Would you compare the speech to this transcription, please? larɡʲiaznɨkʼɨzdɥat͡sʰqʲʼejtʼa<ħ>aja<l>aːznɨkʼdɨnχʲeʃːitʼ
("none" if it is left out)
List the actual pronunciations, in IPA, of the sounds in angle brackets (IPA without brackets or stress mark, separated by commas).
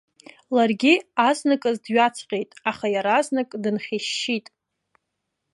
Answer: χ, ɾ